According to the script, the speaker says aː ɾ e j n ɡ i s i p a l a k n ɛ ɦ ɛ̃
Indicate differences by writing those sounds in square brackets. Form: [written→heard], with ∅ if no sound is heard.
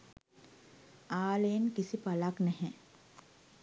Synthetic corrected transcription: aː [ɾ→l] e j n [ɡ→k] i s i p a l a k n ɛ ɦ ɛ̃